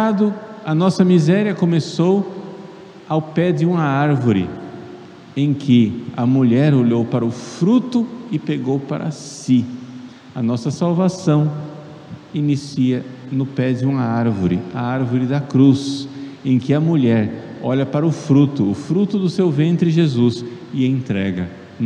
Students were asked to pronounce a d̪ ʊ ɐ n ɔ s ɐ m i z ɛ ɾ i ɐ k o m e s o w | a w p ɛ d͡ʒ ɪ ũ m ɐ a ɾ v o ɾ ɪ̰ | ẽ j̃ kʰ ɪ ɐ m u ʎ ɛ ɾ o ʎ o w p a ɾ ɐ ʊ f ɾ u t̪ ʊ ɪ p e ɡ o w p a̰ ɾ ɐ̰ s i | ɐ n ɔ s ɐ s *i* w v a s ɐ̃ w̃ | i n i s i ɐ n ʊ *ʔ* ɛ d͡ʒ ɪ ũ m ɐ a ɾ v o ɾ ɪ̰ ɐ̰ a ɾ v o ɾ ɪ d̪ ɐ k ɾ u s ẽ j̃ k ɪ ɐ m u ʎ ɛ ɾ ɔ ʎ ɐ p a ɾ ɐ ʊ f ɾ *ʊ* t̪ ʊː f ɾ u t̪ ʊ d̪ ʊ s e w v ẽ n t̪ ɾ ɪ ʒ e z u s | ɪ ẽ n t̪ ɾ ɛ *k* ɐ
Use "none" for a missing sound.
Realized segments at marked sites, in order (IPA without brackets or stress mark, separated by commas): a, p, u, ɡ